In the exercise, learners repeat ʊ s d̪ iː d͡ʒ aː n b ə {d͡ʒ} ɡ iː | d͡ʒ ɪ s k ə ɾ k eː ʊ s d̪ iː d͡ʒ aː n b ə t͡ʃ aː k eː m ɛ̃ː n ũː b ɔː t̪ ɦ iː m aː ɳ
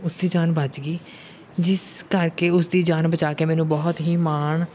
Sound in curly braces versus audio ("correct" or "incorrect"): correct